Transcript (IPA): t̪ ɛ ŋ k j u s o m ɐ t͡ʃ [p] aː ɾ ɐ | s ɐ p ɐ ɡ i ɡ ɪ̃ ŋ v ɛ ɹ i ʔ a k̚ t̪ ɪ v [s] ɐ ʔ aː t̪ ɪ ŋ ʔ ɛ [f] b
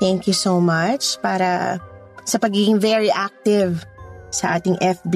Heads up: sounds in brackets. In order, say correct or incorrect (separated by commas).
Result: correct, correct, correct